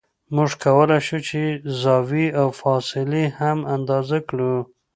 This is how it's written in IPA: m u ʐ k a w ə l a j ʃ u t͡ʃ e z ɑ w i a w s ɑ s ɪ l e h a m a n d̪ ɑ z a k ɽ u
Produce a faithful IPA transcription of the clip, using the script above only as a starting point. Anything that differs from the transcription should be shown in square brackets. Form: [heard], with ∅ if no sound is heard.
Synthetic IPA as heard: m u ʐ k a w ə l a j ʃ u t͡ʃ e z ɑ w i a w [f] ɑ s ɪ l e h a m a n d̪ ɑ z a k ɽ u